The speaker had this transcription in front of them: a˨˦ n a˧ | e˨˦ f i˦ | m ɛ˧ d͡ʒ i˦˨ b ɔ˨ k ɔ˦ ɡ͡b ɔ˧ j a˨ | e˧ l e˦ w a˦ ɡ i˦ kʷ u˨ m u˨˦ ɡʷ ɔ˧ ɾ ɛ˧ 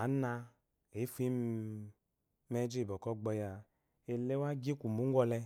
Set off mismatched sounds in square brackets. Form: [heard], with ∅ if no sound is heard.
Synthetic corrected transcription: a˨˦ n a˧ | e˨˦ f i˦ | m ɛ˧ d͡ʒ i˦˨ b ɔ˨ k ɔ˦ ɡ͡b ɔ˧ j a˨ | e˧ l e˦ w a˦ ɡ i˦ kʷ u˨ m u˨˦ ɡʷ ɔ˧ [l] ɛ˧

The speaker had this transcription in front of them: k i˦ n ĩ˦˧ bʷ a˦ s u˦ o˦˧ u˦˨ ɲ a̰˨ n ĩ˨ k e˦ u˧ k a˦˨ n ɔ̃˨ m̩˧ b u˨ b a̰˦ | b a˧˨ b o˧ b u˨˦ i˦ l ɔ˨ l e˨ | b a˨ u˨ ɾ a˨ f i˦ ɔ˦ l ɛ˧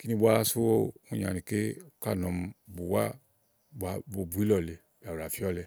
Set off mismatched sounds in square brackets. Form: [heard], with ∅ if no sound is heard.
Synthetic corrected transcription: k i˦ n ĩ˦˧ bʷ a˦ s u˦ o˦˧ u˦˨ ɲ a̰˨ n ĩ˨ k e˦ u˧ k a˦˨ n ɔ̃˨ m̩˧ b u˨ [w] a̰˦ | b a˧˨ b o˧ b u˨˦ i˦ l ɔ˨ l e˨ | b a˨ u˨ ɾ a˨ f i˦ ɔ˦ l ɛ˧

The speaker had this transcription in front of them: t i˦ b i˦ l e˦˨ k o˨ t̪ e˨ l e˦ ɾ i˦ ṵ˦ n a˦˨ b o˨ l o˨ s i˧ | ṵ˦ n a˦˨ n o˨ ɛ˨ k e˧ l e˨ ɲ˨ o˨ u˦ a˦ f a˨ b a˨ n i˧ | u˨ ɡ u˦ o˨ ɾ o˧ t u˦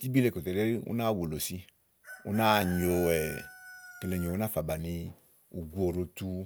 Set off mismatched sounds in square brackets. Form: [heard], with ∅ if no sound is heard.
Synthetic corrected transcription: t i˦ b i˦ l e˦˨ k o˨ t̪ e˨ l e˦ ɾ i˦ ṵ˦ n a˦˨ [w] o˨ l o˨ s i˧ | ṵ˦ n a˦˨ [ɲ] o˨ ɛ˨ k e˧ l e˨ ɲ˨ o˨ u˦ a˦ f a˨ b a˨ n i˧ | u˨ ɡ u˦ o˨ ɾ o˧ t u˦

